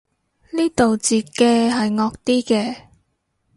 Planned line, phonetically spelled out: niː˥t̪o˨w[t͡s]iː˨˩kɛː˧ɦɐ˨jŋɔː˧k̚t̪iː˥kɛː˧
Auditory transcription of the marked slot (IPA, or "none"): t͡s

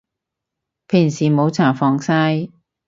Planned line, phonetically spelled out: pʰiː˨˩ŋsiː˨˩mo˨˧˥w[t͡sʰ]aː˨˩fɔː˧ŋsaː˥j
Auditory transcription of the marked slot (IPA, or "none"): t͡sʰ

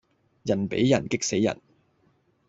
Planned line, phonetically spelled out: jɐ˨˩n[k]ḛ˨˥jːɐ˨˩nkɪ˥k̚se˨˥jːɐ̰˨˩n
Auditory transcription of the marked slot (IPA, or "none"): p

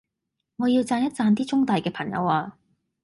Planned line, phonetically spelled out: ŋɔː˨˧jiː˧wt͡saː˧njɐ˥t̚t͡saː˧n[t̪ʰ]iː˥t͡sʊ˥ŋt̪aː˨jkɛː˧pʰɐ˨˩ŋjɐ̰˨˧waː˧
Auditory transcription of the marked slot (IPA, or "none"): t̪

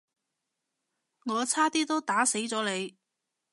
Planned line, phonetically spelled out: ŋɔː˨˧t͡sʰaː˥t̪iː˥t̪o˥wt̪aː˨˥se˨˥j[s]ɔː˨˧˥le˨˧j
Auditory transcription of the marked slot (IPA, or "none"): t͡s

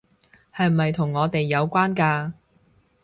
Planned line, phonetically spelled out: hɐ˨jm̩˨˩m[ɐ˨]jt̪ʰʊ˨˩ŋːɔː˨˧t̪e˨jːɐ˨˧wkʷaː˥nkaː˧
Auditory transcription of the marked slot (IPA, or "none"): ɐ˨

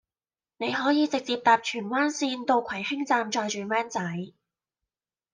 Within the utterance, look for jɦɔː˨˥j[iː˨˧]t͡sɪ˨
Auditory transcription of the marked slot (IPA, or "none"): iː˨˧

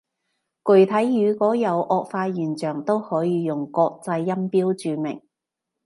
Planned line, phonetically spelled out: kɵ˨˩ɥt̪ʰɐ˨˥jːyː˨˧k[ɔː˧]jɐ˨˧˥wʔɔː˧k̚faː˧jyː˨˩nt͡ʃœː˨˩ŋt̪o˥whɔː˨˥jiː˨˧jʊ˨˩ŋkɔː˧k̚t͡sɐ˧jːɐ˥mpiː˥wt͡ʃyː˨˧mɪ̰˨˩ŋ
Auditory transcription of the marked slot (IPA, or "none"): ɔː˨˥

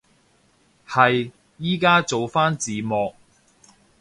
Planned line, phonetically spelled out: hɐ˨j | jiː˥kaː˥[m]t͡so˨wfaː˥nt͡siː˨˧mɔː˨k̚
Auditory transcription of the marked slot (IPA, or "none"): none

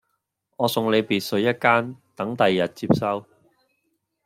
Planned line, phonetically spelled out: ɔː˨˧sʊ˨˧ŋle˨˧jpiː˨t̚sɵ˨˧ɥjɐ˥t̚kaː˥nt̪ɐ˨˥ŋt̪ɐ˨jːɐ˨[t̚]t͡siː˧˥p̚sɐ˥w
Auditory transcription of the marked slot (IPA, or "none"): t̚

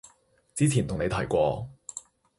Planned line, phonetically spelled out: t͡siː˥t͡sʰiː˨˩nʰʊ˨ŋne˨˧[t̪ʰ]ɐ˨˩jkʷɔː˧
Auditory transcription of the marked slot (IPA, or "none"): t̪ʰ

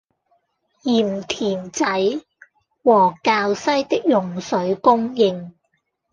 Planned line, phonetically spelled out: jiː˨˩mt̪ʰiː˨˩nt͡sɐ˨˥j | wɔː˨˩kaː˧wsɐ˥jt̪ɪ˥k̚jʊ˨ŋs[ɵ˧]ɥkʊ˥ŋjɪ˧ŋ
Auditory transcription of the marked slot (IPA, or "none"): ɵ˨˥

